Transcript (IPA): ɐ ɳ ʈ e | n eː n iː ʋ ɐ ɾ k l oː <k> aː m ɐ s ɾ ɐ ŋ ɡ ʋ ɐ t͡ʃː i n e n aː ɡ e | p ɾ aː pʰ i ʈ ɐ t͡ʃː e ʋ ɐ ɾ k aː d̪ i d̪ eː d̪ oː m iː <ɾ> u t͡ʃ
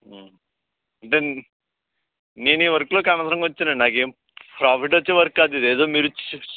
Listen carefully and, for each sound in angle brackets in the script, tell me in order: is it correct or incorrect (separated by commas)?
correct, correct